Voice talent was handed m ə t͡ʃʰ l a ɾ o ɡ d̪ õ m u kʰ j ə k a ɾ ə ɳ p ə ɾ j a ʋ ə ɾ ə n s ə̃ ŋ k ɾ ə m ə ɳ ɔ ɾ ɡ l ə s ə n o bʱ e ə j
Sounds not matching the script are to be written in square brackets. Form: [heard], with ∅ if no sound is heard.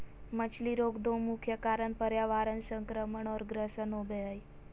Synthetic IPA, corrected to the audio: m ə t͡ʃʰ l [i] ɾ o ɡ d̪ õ m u kʰ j ə k a ɾ ə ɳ p ə ɾ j a ʋ [a] ɾ ə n s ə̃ ŋ k ɾ ə m ə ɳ ɔ ɾ ɡ [ɾ] ə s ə n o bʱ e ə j